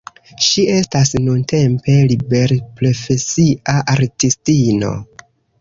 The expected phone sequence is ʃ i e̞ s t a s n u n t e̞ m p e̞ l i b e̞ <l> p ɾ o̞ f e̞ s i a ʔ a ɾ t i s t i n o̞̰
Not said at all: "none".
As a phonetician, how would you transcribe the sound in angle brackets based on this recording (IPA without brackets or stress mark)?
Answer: ɾ